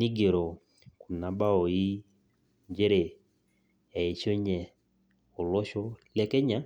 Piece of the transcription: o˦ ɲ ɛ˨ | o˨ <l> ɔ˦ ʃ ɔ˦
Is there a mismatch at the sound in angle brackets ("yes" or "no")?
no